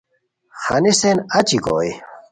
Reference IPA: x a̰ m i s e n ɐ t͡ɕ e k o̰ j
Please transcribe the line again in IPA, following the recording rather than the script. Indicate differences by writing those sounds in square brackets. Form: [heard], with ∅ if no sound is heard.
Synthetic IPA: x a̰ [n] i s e n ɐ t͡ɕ [i] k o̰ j